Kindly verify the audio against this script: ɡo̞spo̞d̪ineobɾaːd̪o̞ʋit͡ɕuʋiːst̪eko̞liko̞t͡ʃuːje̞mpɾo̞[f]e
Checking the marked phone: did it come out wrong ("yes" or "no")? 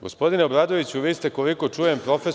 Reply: no